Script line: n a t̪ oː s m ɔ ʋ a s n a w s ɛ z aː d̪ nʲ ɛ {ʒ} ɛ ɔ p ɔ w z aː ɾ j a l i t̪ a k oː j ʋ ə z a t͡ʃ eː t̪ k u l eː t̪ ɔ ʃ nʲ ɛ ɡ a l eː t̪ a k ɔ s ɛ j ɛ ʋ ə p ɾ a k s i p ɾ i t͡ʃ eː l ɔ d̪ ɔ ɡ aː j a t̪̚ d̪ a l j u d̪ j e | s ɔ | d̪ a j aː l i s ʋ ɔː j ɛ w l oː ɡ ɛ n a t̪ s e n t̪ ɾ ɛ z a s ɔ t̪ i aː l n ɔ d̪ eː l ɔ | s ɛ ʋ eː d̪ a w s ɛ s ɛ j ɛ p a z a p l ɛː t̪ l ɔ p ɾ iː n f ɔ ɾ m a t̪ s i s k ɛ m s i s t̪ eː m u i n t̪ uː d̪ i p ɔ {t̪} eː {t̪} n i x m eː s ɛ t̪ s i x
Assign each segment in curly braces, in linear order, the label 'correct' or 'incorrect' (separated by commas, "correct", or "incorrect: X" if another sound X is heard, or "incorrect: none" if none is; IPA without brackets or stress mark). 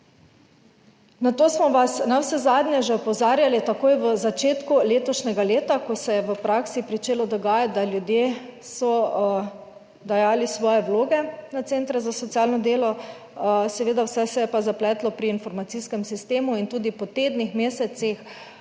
correct, correct, incorrect: d̪